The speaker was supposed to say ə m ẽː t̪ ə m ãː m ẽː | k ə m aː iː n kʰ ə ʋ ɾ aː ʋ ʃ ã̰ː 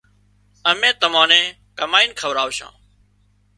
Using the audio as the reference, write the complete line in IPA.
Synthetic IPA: ə m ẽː t̪ ə m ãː n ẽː | k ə m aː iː n kʰ ə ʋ ɾ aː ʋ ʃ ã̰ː